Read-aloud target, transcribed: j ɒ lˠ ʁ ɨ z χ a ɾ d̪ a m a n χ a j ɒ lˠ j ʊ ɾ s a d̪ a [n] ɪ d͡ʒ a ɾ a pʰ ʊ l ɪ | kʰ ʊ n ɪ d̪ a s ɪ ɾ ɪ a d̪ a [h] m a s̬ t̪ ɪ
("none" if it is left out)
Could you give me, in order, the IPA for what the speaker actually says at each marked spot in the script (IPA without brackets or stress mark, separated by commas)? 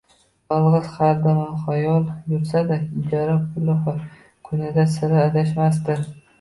none, ʃ